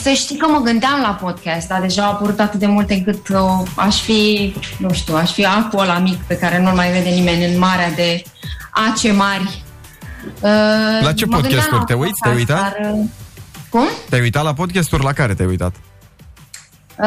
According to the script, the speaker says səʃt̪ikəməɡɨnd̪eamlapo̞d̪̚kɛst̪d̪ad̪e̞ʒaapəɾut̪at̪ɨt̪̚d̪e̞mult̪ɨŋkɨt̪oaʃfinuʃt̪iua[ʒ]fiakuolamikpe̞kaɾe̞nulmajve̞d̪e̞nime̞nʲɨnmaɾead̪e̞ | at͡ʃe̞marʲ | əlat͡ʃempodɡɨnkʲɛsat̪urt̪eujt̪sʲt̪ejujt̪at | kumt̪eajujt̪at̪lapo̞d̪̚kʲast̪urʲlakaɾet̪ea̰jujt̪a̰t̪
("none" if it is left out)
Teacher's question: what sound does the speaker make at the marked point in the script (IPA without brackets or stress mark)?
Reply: ʃ